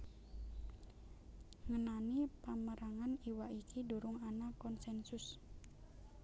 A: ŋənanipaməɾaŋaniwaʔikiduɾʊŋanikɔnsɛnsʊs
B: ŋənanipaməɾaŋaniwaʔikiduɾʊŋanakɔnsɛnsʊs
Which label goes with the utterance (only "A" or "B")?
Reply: B